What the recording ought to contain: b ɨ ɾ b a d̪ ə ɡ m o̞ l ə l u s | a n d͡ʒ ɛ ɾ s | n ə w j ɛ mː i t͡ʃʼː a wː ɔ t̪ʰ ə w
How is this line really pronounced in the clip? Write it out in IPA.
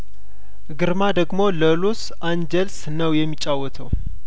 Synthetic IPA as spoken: ɡ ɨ ɾ m a d̪ ə ɡ m o̞ l ə l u s | a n d͡ʒ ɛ l s | n ə w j ɛ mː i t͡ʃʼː a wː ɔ t̪ʰ ə w